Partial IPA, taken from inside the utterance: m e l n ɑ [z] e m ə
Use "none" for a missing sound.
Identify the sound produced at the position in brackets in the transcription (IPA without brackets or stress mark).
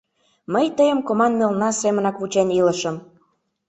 s